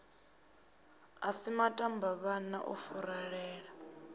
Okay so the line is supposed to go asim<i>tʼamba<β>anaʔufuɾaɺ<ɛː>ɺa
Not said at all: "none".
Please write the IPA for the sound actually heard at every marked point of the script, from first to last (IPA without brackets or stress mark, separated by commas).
a, β, ɛː